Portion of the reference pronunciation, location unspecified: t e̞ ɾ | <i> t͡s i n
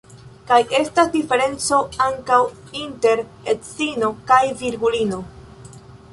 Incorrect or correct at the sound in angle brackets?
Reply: incorrect: e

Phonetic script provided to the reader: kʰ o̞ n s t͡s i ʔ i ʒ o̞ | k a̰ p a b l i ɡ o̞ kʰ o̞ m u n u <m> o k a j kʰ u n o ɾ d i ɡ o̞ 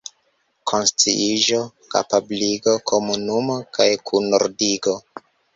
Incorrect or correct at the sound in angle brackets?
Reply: correct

